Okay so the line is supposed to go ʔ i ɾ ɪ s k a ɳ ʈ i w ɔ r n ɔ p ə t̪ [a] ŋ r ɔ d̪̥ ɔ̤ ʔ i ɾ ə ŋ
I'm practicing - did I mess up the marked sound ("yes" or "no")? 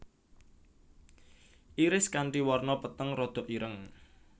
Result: yes